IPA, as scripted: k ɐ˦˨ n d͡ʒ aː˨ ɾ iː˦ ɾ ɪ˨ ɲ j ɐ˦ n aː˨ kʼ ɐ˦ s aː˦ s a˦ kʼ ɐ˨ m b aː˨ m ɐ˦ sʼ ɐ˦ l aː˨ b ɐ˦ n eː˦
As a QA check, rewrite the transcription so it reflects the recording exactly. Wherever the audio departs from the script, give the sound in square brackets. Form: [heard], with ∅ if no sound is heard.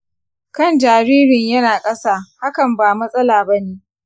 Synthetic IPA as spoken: k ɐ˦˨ n d͡ʒ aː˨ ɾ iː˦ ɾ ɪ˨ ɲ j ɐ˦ n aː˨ kʼ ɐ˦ s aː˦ [h] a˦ [k] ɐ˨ m b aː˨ m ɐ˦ sʼ ɐ˦ l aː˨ b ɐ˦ n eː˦

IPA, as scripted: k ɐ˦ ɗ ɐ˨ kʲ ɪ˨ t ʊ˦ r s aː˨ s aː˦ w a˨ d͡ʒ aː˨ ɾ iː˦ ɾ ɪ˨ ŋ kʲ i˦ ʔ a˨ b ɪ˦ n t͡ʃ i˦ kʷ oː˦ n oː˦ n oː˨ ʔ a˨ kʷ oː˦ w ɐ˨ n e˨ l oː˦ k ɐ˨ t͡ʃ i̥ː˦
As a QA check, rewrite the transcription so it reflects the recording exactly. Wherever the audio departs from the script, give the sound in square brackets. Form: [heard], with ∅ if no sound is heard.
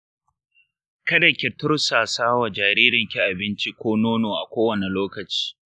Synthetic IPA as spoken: k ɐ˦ [d] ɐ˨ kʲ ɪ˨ t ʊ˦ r s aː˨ s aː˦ w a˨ d͡ʒ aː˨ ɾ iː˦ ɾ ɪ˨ ŋ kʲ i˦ ʔ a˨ b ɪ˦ n t͡ʃ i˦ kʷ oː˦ n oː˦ n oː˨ ʔ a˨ kʷ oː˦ w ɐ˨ n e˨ l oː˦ k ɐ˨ t͡ʃ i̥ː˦

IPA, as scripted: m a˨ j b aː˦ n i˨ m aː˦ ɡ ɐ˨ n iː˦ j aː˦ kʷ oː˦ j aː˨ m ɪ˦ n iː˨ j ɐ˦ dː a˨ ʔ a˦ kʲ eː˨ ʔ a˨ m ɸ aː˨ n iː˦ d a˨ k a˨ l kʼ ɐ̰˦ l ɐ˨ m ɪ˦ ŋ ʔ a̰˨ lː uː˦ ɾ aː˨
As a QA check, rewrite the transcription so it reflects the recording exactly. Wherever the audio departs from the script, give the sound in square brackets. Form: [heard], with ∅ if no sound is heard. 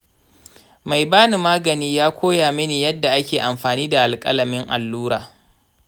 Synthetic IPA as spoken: m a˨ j b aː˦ n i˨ m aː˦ ɡ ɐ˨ n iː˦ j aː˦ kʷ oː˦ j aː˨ m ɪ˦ n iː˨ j ɐ˦ dː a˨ ʔ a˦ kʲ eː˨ ʔ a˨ m ɸ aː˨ n iː˦ d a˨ [ʔ] a˨ l kʼ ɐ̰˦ l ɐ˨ m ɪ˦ ŋ ʔ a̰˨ lː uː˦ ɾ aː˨

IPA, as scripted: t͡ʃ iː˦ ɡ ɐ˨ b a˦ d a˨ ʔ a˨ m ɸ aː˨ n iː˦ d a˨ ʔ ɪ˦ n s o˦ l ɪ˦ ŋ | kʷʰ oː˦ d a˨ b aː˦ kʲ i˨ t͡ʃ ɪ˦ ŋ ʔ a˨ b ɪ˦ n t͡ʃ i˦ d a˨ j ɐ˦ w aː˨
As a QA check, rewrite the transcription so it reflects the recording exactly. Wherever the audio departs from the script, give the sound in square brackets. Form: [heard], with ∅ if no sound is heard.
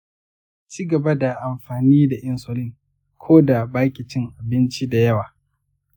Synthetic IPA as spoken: t͡ʃ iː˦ ɡ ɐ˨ b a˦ d a˨ ʔ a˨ m ɸ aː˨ n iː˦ d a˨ ʔ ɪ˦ n s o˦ l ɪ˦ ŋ | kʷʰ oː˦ d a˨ b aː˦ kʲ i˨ t͡ʃ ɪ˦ ŋ ʔ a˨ b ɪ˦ n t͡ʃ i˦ d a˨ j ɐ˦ w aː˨

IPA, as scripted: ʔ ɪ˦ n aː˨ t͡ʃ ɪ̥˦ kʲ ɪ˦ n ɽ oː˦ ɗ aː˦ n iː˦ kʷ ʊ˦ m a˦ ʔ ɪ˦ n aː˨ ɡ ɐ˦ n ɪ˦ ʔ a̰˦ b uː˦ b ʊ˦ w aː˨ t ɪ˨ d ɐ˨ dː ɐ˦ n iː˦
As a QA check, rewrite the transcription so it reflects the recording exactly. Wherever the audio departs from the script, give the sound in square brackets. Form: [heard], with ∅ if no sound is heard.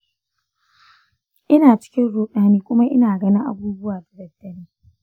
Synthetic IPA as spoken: ʔ ɪ˦ n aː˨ t͡ʃ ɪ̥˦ kʲ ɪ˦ n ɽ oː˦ ɗ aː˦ n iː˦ kʷ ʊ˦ m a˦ ʔ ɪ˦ n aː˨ ɡ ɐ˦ n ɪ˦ ʔ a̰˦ b uː˦ b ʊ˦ w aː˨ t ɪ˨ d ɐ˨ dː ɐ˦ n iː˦

